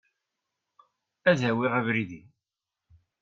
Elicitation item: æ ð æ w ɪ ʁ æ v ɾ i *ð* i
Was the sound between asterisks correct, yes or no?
yes